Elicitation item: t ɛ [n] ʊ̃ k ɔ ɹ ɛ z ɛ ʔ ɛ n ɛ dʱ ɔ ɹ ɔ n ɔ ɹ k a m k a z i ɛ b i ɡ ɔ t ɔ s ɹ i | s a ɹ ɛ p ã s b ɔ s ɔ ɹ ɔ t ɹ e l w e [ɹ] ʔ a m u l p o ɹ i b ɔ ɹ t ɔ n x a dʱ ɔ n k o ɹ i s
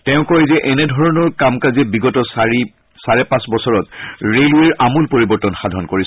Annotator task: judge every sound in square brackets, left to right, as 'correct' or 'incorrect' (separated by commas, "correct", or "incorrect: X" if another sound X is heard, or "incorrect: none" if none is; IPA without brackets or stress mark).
incorrect: none, correct